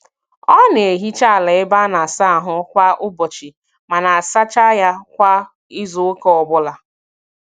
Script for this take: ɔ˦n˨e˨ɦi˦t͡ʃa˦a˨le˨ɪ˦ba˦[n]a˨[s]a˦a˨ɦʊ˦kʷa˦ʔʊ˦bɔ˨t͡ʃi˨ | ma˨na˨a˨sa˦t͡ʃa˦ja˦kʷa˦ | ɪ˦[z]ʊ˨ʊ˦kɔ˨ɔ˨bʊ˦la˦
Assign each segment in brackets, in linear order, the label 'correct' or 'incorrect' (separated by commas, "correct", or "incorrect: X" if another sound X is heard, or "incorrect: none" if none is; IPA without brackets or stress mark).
correct, correct, correct